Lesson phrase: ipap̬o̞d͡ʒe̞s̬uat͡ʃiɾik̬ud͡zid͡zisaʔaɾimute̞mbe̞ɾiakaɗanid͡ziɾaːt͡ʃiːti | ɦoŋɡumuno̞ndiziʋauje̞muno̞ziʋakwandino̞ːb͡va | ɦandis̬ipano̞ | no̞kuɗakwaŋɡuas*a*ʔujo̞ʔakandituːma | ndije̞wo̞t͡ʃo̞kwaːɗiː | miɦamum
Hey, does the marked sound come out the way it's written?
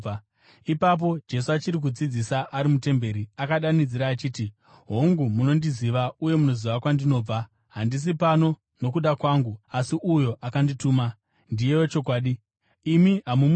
no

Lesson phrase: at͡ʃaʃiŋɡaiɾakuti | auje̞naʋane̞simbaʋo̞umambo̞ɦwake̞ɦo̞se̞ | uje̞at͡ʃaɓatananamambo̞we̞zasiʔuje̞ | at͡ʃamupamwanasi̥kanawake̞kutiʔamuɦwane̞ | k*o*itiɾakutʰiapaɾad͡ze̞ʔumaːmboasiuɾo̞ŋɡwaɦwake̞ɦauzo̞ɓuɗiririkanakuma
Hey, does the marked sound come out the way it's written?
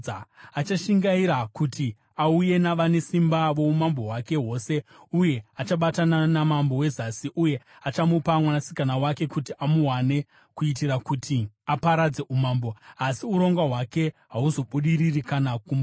no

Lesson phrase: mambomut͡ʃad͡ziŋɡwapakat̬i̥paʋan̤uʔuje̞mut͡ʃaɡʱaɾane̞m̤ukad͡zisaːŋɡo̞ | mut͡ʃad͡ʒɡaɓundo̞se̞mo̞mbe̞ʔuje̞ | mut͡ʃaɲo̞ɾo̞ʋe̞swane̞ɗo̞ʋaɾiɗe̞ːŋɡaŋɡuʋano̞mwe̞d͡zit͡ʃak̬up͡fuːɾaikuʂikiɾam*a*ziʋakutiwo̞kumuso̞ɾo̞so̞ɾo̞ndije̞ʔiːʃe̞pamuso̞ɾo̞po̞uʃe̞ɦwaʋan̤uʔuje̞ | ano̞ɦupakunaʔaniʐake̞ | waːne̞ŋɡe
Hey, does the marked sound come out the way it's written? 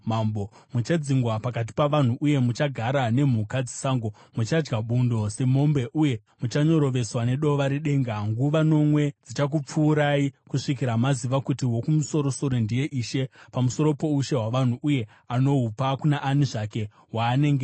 yes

